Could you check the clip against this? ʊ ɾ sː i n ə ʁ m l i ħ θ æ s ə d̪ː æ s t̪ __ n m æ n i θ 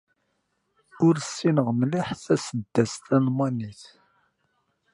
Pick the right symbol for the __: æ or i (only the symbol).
æ